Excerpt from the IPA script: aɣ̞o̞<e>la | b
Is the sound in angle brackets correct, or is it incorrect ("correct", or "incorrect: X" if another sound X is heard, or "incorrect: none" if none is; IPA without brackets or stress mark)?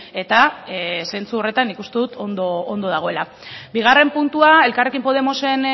correct